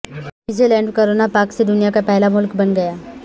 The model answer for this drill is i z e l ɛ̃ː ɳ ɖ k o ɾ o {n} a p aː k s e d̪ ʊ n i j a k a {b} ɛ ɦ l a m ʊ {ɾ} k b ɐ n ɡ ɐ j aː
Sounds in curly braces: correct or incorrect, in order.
correct, incorrect, incorrect

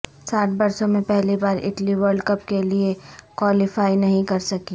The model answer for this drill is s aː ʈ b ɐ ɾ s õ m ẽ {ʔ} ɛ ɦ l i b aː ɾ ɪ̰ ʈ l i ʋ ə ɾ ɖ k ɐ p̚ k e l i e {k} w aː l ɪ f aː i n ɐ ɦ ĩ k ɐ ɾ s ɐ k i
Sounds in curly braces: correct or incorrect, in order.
incorrect, correct

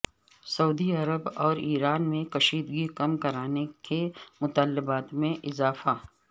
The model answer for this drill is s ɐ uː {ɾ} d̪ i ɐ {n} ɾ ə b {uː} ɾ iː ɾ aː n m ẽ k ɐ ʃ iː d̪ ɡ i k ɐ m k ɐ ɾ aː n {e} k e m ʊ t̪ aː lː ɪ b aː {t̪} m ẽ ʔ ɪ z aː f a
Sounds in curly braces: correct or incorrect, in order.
incorrect, incorrect, incorrect, correct, correct

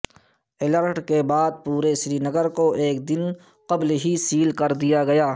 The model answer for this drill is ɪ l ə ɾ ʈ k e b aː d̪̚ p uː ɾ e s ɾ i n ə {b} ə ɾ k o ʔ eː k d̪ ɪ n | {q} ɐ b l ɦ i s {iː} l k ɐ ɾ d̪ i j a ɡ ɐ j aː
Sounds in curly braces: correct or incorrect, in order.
incorrect, correct, correct

